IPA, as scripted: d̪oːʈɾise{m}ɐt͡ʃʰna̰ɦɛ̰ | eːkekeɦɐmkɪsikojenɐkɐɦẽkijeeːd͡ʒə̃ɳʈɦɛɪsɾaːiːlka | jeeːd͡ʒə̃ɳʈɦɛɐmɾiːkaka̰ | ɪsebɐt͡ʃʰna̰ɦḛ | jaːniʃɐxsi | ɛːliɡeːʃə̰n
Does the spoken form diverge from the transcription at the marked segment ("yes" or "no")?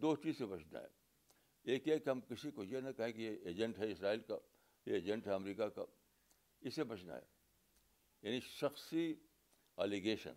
yes